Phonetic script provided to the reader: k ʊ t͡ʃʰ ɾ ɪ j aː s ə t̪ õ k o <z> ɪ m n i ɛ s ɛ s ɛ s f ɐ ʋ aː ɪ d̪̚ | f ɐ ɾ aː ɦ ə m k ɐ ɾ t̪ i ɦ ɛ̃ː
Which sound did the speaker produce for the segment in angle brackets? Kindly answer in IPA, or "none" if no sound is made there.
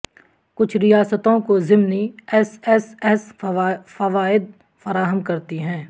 z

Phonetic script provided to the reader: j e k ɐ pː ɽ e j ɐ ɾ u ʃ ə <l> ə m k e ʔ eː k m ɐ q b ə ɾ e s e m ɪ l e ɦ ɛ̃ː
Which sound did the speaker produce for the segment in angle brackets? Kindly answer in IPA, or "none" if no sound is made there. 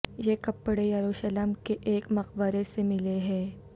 l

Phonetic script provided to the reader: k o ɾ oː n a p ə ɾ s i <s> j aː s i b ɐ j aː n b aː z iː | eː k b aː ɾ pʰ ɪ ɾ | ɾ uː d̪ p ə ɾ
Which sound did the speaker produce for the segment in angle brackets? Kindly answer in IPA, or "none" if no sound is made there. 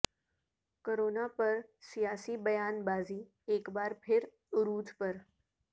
none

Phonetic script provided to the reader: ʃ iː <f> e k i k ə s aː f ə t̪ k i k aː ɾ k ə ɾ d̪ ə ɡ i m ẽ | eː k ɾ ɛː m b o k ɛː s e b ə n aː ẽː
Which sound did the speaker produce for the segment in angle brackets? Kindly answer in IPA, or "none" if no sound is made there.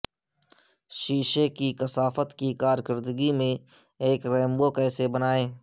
ʃ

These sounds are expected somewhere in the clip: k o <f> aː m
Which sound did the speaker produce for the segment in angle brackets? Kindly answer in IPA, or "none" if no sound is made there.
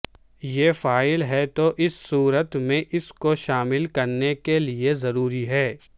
ʃ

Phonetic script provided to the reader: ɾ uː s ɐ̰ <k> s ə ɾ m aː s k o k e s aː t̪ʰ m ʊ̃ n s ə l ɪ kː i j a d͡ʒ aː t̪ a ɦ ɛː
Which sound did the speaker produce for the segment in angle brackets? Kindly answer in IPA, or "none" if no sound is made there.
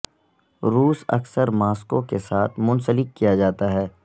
k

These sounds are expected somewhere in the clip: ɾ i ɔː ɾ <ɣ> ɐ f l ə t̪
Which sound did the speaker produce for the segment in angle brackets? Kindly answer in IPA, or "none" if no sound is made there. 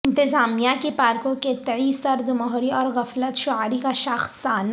ɣ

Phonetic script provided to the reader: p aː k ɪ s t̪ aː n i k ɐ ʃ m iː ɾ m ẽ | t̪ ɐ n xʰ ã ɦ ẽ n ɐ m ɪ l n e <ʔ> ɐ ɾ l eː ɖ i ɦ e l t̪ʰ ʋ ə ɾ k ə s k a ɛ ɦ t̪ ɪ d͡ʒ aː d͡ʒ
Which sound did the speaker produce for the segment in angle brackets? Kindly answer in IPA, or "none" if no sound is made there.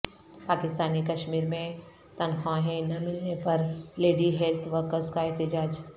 p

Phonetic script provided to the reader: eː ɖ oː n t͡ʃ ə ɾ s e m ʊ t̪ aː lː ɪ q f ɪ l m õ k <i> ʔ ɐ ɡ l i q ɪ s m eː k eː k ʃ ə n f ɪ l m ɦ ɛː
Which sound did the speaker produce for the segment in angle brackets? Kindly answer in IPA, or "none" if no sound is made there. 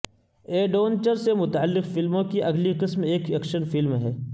i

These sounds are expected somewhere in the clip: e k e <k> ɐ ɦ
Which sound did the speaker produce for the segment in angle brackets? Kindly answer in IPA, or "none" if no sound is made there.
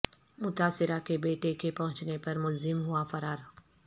p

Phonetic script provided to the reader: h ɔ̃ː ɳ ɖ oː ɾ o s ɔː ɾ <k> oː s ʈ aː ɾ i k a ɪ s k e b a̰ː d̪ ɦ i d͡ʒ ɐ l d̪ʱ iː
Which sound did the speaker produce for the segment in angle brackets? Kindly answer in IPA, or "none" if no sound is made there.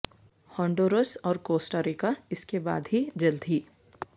k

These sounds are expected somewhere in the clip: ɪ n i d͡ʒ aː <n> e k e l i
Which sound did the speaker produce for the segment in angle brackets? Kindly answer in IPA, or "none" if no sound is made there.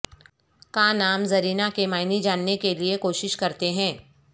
nː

